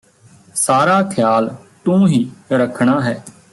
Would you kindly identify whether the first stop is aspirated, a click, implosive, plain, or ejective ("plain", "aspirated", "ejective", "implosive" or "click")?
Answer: aspirated